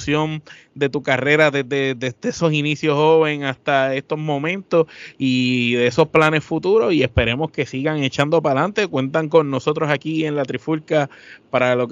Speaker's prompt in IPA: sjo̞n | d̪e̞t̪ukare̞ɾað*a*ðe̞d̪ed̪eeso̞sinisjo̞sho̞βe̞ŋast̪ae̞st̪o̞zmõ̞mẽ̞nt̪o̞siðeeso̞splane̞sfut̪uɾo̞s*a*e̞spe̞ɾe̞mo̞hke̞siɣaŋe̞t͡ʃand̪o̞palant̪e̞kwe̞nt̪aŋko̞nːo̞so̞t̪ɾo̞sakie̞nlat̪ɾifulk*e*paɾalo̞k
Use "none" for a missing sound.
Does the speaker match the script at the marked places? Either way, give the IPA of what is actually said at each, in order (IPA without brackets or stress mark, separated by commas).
e, i, a